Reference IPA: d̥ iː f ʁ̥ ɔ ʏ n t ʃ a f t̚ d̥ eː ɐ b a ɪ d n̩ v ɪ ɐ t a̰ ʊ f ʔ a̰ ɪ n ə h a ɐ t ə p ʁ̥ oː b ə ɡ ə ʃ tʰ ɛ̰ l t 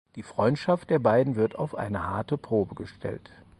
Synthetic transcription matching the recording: d̥ iː f ʁ̥ ɔ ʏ n t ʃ a f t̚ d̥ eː ɐ b a ɪ d n̩ v ɪ ɐ t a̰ ʊ f ʔ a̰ ɪ n ə h a ɐ t ə p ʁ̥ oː b ə ɡ ə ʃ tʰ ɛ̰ l t